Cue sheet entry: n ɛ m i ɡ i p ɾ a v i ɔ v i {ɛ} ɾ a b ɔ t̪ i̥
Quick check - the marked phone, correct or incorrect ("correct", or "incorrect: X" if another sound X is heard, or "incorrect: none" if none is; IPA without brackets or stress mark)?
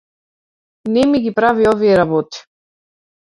correct